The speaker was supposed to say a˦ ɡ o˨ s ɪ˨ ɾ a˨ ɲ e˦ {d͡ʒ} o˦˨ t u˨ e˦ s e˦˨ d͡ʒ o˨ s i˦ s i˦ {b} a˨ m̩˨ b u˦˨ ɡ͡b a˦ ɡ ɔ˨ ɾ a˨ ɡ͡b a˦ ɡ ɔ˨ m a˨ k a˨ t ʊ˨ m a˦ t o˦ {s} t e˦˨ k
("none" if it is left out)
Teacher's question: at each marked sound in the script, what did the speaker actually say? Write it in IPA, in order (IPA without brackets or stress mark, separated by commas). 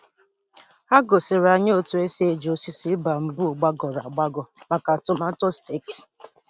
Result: none, b, s